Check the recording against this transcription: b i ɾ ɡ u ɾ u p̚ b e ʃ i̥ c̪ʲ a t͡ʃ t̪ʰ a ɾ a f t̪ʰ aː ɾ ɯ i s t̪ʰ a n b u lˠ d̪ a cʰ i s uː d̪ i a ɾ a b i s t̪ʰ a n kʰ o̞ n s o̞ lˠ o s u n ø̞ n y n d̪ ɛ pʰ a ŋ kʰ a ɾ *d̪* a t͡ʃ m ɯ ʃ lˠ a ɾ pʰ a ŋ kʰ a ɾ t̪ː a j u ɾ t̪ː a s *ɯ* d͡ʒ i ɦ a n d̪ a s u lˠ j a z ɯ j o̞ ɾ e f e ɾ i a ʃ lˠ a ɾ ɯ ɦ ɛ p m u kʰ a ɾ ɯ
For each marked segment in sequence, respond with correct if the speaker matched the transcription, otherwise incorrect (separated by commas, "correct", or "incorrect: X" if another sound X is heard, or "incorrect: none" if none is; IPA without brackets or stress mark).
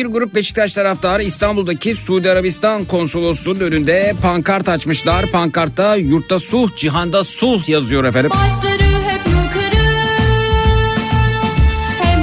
incorrect: t̪, incorrect: u